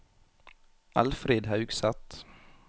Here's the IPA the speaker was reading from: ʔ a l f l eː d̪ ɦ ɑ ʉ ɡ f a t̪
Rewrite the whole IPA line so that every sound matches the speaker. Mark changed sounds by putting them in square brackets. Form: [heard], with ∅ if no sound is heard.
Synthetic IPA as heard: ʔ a l f [ɾ] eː d̪ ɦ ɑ ʉ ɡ [s] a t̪